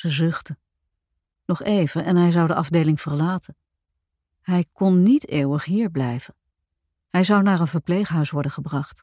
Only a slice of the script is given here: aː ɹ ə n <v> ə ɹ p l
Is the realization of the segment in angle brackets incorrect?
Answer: no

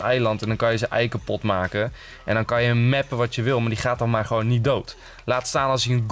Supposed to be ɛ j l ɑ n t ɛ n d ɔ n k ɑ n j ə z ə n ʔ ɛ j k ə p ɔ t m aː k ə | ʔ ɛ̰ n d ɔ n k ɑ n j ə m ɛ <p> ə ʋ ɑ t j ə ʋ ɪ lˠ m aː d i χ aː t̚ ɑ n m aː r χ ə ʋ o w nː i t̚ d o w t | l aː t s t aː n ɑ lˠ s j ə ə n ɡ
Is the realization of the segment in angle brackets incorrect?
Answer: no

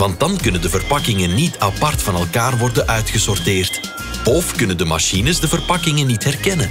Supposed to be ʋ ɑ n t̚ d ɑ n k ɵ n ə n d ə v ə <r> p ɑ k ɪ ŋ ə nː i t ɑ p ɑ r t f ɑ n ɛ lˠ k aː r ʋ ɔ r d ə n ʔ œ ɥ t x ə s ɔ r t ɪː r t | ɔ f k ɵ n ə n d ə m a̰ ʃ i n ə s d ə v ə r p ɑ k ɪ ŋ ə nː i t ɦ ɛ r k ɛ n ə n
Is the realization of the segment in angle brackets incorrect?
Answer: no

